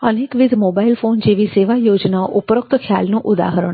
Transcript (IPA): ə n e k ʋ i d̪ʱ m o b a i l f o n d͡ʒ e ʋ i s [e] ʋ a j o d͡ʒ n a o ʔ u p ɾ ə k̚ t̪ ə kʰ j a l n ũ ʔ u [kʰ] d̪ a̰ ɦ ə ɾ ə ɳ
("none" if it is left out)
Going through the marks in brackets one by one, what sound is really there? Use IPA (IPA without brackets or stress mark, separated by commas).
e, none